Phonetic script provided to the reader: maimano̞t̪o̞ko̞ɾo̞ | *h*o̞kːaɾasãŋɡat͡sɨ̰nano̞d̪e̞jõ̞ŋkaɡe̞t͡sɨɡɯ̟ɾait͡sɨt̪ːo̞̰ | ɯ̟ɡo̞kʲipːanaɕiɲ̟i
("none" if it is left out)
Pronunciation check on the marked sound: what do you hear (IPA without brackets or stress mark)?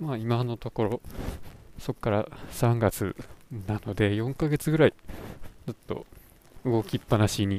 s